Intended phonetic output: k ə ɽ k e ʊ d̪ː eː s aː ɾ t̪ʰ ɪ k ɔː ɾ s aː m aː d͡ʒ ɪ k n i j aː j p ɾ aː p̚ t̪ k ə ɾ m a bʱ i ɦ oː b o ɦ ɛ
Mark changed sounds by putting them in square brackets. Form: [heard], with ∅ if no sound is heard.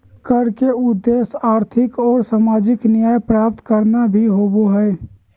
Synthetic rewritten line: k ə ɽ k e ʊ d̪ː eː s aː ɾ t̪ʰ ɪ k ɔː ɾ s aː m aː d͡ʒ ɪ k n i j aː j p ɾ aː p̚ t̪ k ə ɾ [n] a bʱ i ɦ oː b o ɦ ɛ